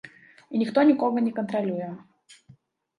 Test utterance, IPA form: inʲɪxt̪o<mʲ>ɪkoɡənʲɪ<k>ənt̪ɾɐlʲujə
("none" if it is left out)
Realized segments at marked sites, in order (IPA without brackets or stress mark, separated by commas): nʲ, k